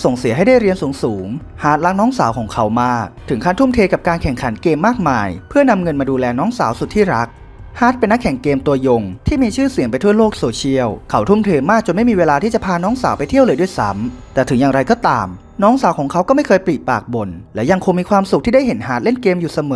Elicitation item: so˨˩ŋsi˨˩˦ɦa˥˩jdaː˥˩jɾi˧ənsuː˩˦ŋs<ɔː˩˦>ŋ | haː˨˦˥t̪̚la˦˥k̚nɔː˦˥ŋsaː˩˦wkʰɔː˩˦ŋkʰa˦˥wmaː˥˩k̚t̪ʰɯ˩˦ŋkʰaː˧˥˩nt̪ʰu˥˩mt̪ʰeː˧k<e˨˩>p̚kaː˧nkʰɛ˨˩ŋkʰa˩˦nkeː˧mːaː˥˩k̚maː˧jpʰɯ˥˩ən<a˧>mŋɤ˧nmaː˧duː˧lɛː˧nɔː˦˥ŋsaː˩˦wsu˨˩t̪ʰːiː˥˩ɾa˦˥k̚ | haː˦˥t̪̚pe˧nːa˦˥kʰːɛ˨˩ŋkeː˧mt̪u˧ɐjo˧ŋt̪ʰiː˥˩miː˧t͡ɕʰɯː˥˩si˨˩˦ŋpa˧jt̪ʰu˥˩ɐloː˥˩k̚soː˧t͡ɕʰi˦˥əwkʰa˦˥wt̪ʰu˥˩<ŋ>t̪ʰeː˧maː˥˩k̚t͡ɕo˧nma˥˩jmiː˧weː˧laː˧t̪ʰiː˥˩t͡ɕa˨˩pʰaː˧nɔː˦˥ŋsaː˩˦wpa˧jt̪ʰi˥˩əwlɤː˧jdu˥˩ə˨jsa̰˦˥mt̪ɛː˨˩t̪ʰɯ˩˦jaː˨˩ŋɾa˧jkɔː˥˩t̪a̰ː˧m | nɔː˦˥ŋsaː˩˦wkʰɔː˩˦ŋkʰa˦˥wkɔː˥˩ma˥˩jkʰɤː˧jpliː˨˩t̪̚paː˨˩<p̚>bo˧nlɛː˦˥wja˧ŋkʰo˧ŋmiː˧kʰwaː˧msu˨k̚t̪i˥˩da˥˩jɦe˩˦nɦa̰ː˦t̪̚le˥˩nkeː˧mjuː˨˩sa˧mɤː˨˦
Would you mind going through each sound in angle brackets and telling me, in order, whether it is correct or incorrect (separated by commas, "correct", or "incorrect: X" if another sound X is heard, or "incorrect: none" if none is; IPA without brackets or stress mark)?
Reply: incorrect: uː˩˦, incorrect: a˨˩, correct, incorrect: m, incorrect: k̚